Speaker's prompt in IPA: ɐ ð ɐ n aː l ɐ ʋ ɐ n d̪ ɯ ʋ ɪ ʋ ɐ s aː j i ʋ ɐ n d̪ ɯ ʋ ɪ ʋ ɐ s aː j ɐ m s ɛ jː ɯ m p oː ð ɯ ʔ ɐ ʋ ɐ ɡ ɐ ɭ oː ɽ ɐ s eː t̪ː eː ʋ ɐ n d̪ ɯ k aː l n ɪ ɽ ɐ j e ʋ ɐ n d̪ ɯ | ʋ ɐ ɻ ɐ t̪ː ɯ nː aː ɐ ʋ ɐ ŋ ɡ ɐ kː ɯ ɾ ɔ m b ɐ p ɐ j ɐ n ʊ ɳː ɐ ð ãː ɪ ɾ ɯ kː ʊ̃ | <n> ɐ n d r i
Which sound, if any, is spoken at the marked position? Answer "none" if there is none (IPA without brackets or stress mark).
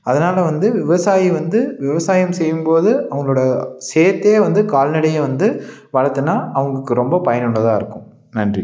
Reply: n